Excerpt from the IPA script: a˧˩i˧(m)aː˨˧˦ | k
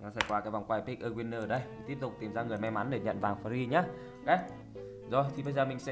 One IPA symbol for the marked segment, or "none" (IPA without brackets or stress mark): ɲ